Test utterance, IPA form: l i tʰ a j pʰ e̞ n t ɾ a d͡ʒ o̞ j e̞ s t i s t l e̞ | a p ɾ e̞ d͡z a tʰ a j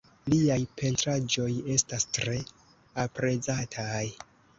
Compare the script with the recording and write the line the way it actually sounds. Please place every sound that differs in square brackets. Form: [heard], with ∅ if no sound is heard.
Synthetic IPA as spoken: l i [∅] a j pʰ e̞ n t ɾ a d͡ʒ o̞ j e̞ s t [a] s t [ɾ] e̞ | a p ɾ e̞ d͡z a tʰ a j